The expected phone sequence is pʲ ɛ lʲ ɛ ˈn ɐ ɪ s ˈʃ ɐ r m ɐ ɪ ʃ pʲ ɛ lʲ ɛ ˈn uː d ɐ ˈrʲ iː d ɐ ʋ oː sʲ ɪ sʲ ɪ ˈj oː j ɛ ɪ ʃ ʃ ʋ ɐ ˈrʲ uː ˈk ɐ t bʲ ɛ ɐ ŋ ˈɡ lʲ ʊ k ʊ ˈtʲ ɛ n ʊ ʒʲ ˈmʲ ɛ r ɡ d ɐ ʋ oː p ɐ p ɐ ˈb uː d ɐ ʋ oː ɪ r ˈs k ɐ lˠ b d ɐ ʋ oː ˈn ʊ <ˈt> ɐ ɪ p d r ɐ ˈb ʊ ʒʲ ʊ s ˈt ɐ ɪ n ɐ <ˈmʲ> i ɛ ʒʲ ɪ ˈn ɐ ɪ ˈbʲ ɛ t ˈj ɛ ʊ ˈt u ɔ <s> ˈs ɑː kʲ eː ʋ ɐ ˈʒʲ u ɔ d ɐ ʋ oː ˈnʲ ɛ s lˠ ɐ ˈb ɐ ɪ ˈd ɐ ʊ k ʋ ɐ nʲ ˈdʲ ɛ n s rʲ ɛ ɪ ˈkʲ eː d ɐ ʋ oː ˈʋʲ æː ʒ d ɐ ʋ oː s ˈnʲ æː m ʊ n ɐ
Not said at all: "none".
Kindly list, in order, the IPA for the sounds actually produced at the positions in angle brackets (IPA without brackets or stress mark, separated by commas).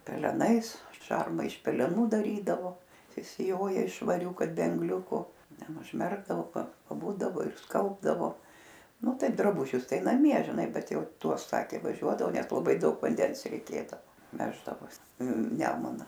t, mʲ, s